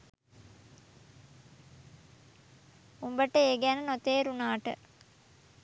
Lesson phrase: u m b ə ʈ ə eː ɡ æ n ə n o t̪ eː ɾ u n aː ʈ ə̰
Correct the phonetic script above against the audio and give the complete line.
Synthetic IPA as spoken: u m b ə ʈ ə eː ɡ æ n ə n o t̪ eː ɾ u n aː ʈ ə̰